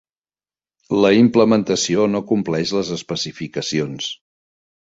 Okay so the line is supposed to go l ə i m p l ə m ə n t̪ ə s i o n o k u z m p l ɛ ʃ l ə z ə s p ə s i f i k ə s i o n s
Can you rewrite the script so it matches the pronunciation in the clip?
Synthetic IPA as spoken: l ə i m p l ə m ə n t̪ ə s i o n o k u m p l ɛ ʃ l ə z ə s p ə s i f i k ə s i o n s

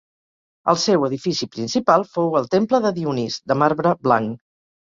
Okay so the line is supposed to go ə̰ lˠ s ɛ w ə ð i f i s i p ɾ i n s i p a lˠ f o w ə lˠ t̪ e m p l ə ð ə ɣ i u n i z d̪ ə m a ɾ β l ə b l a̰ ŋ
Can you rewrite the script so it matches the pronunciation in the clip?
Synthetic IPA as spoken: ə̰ lˠ s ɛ w ə ð i f i s i p ɾ i n s i p a lˠ f o w ə lˠ t̪ e m p l ə ð ə ð i u n i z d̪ ə m a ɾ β ɾ ə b l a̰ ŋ

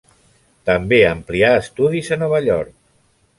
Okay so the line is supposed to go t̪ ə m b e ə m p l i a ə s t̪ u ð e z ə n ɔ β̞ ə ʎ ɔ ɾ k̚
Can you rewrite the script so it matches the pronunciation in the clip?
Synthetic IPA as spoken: t̪ ə m b e ə m p l i a ə s t̪ u ð i z ə n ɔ β̞ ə ʎ ɔ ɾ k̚

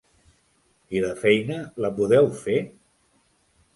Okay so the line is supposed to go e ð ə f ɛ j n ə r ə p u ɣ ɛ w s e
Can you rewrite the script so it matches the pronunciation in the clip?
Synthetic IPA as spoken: i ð ə f ɛ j n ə l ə p u ð ɛ w f e

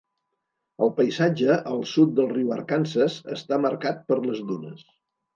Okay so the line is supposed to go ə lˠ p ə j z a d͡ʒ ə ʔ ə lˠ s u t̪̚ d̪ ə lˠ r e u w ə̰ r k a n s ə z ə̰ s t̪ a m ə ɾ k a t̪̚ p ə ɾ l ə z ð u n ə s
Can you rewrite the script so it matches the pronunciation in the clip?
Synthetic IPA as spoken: ə lˠ p ə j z a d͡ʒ ə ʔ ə lˠ s u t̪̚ d̪ ə lˠ r i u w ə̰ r k a n s ə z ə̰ s t̪ a m ə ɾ k a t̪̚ p ə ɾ l ə z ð u n ə s

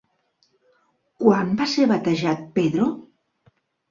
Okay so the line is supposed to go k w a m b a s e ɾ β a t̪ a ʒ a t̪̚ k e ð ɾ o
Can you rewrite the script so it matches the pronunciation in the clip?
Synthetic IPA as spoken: k w a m b a s e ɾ β a t̪ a ʒ a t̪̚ p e ð ɾ o

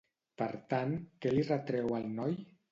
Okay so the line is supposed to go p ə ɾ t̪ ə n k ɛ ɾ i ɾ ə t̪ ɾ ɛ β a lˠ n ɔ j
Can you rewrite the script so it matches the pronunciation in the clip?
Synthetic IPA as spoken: p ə ɾ t̪ a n k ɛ l i r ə t̪ ɾ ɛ w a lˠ n ɔ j

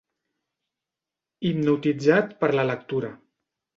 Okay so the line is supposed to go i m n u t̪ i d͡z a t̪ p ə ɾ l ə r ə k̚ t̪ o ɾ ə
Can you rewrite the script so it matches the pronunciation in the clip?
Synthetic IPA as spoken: i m n u t̪ i d͡z a t̪ p ə ɾ l ə l ə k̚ t̪ u ɾ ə

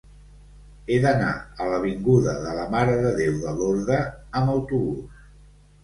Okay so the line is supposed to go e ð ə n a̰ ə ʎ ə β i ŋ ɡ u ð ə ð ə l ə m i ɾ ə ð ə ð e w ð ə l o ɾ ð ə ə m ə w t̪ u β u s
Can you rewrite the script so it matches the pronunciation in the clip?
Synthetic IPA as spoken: e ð ə n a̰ ə l ə β i ŋ ɡ u ð ə ð ə l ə m a ɾ ə ð ə ð e w ð ə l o ɾ ð ə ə m ə w t̪ u β u s

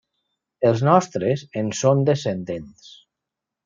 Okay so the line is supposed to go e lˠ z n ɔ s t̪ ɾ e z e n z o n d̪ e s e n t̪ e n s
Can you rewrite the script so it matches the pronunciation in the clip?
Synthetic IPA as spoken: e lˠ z n ɔ s t̪ ɾ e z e n s o n d̪ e s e n d̪ e n s

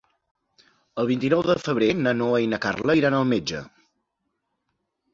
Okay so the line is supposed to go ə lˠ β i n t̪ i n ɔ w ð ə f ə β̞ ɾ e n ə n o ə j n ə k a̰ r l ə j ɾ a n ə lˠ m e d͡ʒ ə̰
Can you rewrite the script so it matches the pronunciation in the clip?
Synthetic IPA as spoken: ə lˠ β i n t̪ i n ɔ w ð ə f ə β̞ ɾ e n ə n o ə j n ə k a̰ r l ə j ɾ a n ə lˠ m e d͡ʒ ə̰

